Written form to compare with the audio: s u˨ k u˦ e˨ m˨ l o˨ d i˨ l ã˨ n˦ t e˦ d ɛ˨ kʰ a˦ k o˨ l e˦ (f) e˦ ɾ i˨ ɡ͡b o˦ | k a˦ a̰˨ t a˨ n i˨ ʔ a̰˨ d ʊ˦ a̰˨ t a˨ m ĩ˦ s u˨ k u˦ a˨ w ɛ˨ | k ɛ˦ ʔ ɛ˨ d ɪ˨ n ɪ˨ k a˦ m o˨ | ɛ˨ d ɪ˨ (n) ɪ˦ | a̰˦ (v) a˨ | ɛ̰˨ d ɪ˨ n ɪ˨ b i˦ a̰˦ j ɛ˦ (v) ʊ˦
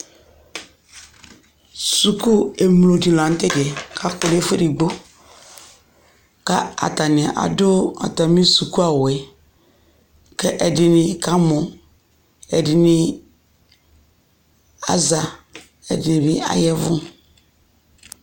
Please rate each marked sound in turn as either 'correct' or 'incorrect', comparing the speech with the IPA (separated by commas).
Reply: correct, correct, incorrect, correct